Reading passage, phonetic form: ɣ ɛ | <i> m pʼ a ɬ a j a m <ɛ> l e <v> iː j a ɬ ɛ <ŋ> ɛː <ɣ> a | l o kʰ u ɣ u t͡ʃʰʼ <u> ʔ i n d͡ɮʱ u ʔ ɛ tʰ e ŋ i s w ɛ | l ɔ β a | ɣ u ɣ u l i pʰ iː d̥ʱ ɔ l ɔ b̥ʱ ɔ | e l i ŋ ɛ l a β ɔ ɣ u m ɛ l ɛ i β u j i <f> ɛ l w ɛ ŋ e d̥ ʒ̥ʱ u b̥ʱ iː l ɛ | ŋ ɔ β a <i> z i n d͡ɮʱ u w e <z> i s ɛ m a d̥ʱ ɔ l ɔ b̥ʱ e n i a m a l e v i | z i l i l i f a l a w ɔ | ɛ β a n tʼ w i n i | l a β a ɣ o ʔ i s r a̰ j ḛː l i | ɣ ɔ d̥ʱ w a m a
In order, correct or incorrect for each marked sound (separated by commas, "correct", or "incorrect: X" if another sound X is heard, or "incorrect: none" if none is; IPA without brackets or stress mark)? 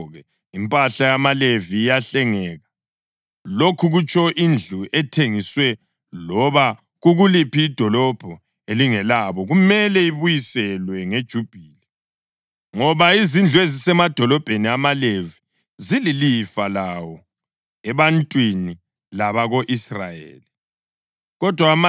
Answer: correct, incorrect: a, correct, correct, correct, incorrect: ɔ, incorrect: s, correct, correct